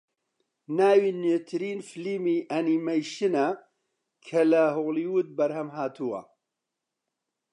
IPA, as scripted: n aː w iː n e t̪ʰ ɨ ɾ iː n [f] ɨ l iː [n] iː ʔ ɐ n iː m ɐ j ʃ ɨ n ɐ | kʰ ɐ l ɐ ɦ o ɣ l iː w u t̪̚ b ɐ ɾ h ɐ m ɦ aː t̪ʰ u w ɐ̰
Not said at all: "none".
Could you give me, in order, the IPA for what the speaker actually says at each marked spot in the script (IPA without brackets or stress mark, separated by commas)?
f, m